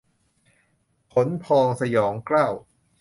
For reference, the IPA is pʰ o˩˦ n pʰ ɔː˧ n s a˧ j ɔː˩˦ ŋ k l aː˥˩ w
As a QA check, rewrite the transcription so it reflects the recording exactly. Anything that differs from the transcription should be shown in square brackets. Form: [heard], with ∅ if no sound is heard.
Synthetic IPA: pʰ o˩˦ n pʰ ɔː˧ [ŋ] s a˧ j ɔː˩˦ ŋ k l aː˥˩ w